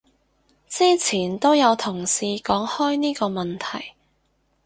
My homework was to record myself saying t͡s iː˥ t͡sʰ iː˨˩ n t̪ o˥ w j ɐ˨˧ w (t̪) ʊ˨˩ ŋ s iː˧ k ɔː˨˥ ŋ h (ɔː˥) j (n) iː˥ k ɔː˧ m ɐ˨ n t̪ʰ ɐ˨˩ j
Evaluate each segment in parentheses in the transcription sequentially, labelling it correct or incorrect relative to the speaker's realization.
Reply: incorrect, correct, correct

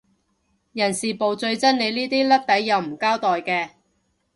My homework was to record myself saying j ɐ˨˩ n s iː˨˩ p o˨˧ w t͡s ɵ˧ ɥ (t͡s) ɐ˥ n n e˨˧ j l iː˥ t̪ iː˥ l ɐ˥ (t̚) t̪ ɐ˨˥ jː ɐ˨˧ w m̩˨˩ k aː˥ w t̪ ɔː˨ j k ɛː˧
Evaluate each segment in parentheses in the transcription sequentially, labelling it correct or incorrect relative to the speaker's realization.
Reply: correct, incorrect

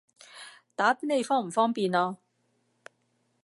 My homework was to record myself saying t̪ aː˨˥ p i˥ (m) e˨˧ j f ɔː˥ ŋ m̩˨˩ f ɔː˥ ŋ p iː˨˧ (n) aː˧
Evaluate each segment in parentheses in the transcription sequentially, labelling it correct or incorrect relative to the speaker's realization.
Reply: incorrect, correct

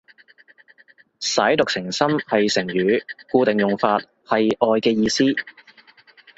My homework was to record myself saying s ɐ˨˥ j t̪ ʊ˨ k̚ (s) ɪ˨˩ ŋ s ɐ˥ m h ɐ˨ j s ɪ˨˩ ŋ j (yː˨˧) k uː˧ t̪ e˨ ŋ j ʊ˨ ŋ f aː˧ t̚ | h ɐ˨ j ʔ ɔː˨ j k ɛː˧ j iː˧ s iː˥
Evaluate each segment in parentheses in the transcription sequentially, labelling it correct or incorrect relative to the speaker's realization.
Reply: correct, correct

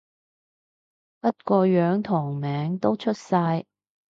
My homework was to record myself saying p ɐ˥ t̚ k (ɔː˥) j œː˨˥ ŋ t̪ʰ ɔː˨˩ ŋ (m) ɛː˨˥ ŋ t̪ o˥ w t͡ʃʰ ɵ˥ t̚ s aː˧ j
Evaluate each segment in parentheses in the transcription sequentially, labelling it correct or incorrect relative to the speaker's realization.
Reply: incorrect, correct

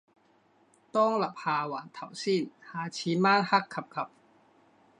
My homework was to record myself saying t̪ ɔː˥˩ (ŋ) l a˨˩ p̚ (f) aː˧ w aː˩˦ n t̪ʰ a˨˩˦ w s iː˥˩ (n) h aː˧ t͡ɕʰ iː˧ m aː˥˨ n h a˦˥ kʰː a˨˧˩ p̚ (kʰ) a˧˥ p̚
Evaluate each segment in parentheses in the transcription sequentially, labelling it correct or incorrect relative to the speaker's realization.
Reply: correct, incorrect, correct, correct

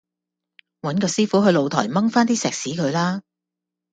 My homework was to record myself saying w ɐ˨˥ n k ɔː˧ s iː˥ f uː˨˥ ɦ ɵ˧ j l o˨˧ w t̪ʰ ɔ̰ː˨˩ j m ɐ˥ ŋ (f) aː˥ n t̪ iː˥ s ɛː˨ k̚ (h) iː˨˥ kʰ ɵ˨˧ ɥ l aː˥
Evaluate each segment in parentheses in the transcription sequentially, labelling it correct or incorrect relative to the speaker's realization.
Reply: correct, incorrect

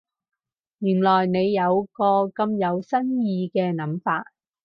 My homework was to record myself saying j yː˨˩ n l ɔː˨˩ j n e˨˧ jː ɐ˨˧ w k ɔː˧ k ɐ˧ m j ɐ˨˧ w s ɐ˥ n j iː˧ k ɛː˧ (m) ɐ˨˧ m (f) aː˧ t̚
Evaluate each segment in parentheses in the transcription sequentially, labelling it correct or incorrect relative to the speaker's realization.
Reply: incorrect, correct

